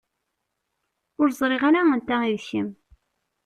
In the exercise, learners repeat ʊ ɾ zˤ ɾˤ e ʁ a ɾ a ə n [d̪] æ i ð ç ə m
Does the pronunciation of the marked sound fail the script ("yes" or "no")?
yes